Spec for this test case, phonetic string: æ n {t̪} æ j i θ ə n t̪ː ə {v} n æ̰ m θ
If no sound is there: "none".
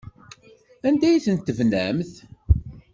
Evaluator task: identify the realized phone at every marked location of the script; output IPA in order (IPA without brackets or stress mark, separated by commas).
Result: d̪, v